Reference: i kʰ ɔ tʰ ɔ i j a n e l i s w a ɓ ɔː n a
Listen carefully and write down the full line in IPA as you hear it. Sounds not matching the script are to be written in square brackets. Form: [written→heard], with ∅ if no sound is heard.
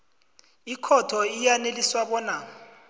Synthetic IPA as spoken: i kʰ ɔ tʰ ɔ i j a n e l i s w a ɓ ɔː n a